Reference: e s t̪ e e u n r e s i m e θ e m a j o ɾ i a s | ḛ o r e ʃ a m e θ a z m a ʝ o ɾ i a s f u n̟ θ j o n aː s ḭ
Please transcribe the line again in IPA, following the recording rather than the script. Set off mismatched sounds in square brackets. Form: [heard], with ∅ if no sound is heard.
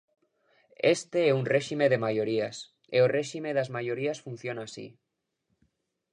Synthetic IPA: e s t̪ e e u n r e [ʃ] i m e [ð] e m a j o ɾ i a s | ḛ o r e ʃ [i] m e [ð] a z m a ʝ o ɾ i a s f u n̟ θ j o n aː s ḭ